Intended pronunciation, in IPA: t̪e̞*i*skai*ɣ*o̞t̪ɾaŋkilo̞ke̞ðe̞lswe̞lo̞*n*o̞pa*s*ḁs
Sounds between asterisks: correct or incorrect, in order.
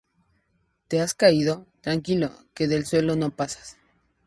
incorrect: a, incorrect: ð, correct, correct

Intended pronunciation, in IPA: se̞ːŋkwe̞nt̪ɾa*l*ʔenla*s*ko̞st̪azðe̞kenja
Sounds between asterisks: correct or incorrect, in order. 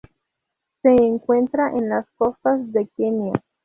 incorrect: none, correct

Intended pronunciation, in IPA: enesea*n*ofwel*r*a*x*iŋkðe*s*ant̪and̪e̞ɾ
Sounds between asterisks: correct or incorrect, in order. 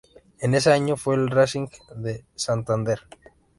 incorrect: ɲ, correct, incorrect: s, correct

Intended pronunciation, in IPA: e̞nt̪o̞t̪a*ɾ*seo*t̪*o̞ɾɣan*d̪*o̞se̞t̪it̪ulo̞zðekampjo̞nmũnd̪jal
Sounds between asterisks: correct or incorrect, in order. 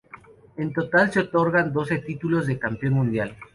incorrect: l, correct, correct

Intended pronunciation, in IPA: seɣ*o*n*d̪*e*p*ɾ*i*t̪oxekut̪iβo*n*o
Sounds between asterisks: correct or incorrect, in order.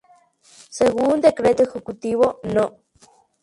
incorrect: u, correct, incorrect: k, incorrect: e, correct

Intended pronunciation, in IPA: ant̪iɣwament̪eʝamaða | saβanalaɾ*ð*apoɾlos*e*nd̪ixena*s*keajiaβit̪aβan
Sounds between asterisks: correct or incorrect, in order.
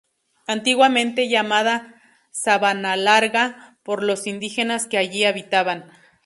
incorrect: ɣ, incorrect: i, correct

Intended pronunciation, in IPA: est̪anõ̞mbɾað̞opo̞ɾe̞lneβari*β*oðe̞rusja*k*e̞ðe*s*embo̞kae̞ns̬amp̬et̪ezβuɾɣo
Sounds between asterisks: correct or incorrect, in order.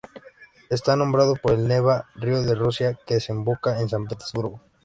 incorrect: none, correct, correct

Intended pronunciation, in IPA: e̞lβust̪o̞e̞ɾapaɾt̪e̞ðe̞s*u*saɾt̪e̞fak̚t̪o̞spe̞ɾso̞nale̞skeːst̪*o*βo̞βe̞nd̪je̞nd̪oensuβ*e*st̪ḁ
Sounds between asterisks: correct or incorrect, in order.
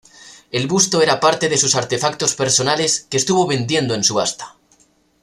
correct, incorrect: u, incorrect: a

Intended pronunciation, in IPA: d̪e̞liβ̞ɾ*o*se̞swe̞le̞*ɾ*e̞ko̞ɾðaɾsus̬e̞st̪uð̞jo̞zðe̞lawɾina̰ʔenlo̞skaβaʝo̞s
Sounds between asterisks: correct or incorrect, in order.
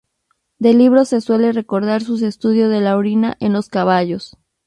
correct, incorrect: r

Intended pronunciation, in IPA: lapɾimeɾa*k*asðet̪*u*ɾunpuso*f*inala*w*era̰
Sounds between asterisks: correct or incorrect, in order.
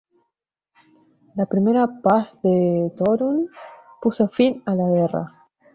incorrect: p, incorrect: o, correct, incorrect: ɣ

